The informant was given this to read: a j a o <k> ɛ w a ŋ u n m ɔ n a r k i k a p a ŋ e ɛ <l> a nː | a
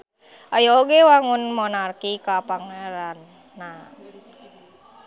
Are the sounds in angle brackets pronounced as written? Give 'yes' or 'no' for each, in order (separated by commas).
no, no